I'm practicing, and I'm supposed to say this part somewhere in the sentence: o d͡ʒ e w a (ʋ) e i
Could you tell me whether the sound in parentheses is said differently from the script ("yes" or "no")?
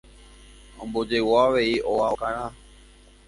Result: no